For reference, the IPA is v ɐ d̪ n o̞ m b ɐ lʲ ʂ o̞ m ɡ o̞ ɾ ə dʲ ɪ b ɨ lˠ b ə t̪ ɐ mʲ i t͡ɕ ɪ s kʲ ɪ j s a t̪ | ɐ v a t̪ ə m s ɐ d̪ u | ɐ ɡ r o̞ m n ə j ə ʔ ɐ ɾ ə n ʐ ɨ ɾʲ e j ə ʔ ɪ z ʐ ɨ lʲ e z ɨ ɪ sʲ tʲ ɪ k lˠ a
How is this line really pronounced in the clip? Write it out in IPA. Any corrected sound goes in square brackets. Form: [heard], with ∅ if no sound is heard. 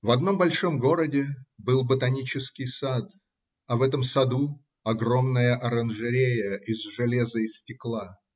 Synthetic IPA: v ɐ d̪ n o̞ m b ɐ lʲ ʂ o̞ m ɡ o̞ ɾ ə dʲ ɪ b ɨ lˠ b ə t̪ ɐ [nʲ] i t͡ɕ ɪ s kʲ ɪ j s a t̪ | ɐ v [ɛ] t̪ ə m s ɐ d̪ u | ɐ ɡ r o̞ m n ə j ə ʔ ɐ ɾ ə n ʐ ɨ ɾʲ e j ə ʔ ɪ z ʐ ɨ lʲ e z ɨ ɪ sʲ tʲ ɪ k lˠ a